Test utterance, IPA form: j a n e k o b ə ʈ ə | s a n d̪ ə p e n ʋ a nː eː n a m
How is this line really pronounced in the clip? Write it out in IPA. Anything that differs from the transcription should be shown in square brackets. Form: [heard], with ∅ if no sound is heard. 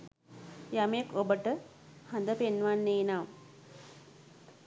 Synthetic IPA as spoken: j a [m] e k o b ə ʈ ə | [h] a n d̪ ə p e n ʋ a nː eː n a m